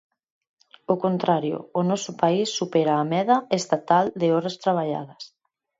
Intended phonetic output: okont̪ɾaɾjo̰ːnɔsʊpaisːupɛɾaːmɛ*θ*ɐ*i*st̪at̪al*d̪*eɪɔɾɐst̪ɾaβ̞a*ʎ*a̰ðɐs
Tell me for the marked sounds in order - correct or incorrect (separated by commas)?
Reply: incorrect, incorrect, correct, correct